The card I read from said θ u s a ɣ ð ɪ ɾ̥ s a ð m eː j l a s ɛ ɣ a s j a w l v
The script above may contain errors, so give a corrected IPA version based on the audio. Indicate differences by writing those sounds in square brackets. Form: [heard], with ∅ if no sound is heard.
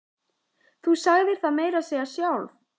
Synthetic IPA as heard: θ u s a ɣ ð ɪ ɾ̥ [θ] a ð m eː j [ɾ] a s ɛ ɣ a s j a w l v